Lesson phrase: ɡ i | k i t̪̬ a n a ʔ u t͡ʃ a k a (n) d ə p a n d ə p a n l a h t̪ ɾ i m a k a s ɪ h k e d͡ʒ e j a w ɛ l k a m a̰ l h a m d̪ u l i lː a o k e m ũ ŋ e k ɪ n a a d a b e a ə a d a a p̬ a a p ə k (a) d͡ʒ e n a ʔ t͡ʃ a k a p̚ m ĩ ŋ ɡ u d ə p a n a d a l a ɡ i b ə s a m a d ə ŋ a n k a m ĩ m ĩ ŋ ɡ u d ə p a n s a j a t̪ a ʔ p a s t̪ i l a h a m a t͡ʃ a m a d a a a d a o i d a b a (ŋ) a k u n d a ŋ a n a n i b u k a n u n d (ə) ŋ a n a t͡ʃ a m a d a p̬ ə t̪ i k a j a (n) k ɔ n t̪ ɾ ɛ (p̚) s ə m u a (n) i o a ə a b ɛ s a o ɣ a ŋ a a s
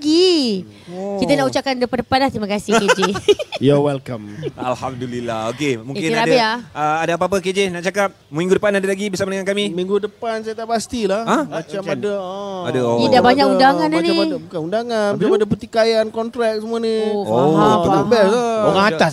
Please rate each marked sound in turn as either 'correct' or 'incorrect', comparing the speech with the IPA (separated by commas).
correct, incorrect, incorrect, incorrect, correct, incorrect, correct